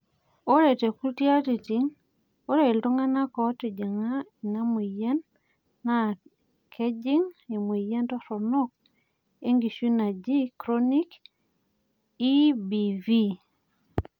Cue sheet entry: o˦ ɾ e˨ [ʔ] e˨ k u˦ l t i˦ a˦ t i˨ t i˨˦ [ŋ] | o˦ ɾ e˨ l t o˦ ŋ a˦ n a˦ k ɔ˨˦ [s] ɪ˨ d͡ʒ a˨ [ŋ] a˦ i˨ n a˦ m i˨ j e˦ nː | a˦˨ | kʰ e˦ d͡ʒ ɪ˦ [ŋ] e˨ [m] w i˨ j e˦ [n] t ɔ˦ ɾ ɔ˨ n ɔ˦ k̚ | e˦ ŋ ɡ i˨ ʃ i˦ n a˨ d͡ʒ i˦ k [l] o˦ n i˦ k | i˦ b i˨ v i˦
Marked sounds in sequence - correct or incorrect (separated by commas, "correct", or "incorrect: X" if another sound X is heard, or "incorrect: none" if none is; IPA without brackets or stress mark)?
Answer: incorrect: t, correct, incorrect: t, correct, correct, correct, correct, incorrect: ɾ